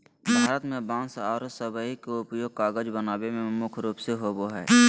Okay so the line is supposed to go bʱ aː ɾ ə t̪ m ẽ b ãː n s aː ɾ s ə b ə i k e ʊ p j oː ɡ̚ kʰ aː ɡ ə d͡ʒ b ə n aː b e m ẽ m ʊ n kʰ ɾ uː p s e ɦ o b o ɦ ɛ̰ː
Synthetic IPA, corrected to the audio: bʱ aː ɾ ə t̪ m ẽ b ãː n s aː ɾ s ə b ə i k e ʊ p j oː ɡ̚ k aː ɡ ə d͡ʒ b ə n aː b e m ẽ m ʊ kʰ ɾ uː p s e ɦ o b o ɦ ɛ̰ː

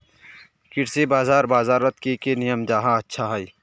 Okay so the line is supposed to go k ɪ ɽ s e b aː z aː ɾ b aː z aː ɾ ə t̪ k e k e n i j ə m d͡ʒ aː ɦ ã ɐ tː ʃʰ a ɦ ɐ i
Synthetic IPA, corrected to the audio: k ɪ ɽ s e b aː z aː ɾ b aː z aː ɾ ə t̪ k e k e n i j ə m d͡ʒ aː ɦ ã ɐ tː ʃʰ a ɦ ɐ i

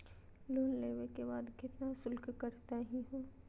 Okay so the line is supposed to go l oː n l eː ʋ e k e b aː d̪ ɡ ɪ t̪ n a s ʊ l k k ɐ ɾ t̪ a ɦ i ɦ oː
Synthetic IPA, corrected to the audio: l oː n l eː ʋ e k e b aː d̪ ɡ ɪ t̪ n a s ʊ l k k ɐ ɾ t̪ a ɦ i ɦ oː

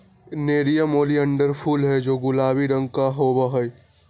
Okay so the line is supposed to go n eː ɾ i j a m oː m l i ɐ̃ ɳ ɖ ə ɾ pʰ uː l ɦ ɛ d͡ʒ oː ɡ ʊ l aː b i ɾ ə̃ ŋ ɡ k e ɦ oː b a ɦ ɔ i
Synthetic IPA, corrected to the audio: n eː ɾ i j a m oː l i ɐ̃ ɳ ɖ ə ɾ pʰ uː l ɦ ɛ d͡ʒ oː ɡ ʊ l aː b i ɾ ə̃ ŋ ɡ k a ɦ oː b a ɦ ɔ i

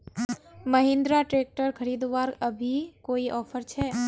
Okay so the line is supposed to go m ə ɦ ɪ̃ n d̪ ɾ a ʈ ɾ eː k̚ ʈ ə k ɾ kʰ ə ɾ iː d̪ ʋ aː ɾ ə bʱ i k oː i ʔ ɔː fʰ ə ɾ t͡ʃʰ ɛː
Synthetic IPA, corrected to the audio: m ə ɦ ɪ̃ n d̪ ɾ a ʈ ɾ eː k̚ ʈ ə ɾ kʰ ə ɾ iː d̪ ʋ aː ɾ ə bʱ i k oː i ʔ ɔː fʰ ə ɾ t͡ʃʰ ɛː

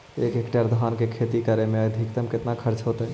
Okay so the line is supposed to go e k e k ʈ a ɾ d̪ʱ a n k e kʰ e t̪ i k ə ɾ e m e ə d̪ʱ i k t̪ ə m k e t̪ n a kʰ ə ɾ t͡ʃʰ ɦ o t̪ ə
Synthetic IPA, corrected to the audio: e k e k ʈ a ɾ d̪ʱ a n k e kʰ e t̪ i k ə ɾ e m e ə d̪ʱ i k t̪ ə m k e t̪ n a kʰ ə ɾ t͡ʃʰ ɦ o t̪ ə

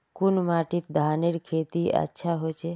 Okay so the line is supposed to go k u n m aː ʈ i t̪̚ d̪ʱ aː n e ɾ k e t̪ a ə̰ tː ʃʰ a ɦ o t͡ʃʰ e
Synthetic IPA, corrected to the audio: k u n m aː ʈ i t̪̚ d̪ʱ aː n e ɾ kʰ e t̪ i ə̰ tː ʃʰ a ɦ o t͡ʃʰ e

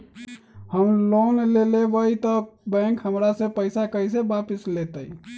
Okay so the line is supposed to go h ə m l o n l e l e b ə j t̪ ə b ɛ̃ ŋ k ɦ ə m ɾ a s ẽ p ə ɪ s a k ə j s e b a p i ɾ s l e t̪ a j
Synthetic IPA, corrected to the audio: h ə m l o n l e l e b ə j t̪ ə b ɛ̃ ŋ k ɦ ə m ɾ a s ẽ p ə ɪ s a k ə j s e b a p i s l e t̪ ə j

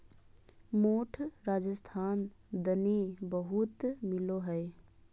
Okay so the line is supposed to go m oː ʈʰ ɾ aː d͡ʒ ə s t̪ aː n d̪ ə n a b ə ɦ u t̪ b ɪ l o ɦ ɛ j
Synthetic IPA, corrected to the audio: m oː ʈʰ ɾ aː d͡ʒ ə s t̪ʰ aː n d̪ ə n i b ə ɦ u t̪ m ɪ l o ɦ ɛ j

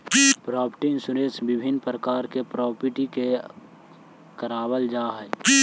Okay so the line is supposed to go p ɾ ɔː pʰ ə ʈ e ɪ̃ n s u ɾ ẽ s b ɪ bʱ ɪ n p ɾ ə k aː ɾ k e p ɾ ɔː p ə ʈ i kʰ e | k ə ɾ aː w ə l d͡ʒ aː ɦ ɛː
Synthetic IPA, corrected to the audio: p ɾ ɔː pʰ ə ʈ i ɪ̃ n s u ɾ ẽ s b ɪ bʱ ɪ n p ɾ ə k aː ɾ k e p ɾ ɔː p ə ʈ i k e | k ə ɾ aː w ə l d͡ʒ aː ɦ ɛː

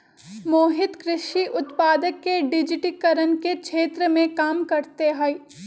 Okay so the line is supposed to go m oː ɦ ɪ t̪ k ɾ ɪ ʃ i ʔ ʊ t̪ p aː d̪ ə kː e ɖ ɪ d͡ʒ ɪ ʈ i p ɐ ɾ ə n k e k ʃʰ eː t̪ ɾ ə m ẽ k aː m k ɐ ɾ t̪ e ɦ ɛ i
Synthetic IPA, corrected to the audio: m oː ɦ ɪ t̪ k ɾ ɪ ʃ i ʔ ʊ t̪ p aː d̪ ə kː e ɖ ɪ d͡ʒ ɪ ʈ i k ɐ ɾ ə n k e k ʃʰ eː t̪ ɾ ə m ẽ k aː m k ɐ ɾ t̪ e ɦ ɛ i

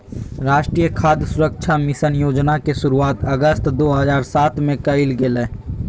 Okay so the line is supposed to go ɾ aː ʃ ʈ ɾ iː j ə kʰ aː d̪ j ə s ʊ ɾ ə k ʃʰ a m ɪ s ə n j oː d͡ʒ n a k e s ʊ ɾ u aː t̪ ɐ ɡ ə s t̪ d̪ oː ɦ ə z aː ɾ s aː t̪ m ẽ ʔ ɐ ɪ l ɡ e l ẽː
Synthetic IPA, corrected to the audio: ɾ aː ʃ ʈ ɾ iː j ə kʰ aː d̪ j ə s ʊ ɾ ə k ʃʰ a m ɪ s ə n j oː d͡ʒ n a k e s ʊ ɾ u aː t̪ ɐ ɡ ə s t̪ d̪ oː ɦ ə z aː ɾ s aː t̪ m ẽ k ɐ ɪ l ɡ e l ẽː

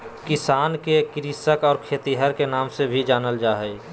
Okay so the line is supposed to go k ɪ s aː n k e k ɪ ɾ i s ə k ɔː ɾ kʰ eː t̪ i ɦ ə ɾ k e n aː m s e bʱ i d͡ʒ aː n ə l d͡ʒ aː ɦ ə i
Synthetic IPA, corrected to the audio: k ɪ s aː n k e k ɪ ɾ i s ə k ɔː ɾ kʰ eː t̪ i ɦ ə ɾ k e n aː m s e bʱ i d͡ʒ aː n ə l d͡ʒ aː ɦ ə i

